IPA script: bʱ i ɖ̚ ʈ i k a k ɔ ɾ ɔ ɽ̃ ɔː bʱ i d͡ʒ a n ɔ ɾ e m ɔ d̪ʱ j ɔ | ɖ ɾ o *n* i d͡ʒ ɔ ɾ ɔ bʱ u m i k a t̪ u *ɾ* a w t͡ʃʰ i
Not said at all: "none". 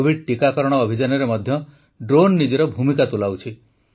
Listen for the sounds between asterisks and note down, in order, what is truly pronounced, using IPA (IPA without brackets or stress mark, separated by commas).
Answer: nː, l